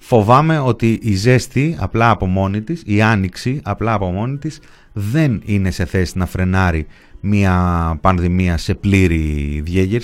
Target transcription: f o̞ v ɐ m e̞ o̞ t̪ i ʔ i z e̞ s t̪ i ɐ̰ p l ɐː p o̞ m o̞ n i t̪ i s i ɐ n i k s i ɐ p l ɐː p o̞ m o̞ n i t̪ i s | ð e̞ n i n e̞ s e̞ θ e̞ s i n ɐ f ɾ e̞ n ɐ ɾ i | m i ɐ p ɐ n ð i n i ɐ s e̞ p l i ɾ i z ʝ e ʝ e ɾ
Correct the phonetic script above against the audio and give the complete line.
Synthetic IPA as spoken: f o̞ v ɐ m e̞ o̞ t̪ i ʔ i z e̞ s t̪ i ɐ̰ p l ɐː p o̞ m o̞ n i t̪ i s i ɐ n i k s i ɐ p l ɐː p o̞ m o̞ n i t̪ i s | ð e̞ n i n e̞ s e̞ θ e̞ s i n ɐ f ɾ e̞ n ɐ ɾ i | m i ɐ p ɐ n ð i m i ɐ s e̞ p l i ɾ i ð ʝ e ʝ e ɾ